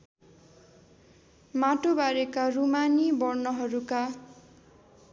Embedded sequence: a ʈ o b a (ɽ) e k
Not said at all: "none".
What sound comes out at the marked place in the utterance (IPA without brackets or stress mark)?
ɾ